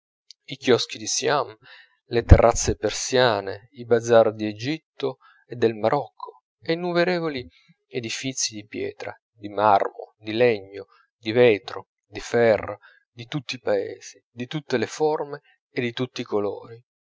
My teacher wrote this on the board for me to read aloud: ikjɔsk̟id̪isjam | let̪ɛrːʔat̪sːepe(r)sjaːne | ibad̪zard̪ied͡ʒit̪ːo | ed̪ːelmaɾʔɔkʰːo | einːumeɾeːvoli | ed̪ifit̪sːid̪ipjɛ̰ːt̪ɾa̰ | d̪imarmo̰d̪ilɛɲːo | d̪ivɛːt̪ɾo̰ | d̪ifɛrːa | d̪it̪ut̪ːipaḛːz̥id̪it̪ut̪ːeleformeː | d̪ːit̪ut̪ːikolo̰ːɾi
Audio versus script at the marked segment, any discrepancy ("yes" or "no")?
no